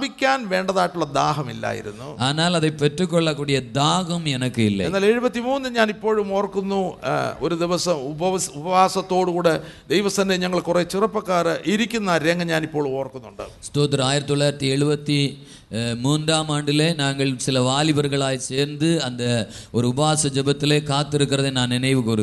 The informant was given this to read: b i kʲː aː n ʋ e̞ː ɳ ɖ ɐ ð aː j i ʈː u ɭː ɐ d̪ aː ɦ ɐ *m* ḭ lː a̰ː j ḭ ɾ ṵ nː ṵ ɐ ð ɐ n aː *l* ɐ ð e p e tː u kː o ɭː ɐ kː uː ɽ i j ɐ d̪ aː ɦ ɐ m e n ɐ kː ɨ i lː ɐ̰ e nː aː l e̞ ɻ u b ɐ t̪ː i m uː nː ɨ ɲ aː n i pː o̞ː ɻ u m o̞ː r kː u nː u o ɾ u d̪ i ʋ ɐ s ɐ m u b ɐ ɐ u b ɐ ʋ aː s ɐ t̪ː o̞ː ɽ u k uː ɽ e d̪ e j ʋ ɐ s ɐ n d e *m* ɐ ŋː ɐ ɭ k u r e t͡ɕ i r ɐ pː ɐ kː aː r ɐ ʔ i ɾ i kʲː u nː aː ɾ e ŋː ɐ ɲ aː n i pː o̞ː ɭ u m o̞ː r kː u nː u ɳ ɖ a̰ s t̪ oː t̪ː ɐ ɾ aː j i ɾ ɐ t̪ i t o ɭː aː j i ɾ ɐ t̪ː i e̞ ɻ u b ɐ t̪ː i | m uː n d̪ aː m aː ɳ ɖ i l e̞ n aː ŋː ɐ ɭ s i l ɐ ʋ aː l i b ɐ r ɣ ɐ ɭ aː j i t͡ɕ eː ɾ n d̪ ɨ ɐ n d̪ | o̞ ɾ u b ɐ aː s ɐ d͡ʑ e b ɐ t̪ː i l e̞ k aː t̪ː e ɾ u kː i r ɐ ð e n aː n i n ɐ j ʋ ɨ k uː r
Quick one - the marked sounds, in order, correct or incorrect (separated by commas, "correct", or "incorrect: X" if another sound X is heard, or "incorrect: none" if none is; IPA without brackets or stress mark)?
correct, correct, incorrect: ɲ